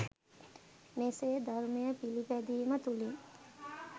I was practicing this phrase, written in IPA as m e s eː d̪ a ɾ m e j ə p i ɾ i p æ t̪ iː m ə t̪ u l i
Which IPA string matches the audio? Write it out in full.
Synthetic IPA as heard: m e s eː d̪ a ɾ m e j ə p i l i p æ d̪ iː m ə t̪ u l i